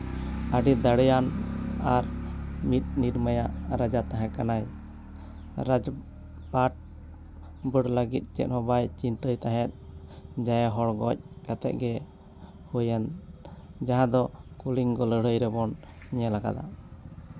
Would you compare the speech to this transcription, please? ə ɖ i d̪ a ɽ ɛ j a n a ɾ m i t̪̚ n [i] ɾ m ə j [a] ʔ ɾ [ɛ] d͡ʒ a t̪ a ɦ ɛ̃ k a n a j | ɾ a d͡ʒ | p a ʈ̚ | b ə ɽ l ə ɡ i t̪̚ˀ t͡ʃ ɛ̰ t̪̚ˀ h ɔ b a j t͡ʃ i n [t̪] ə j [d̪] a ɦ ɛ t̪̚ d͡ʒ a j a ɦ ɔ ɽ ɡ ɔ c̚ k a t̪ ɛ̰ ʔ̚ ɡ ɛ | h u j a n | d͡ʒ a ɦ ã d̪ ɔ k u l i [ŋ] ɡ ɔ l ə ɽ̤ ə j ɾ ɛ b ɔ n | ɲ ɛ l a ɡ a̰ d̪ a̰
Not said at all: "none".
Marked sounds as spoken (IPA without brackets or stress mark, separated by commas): i, a, a, t̪, t̪, ŋ